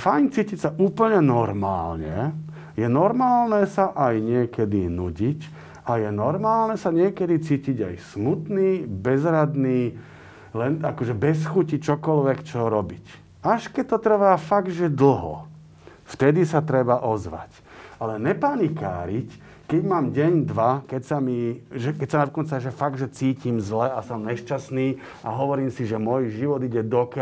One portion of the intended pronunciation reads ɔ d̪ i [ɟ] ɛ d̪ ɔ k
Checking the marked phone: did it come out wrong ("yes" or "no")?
no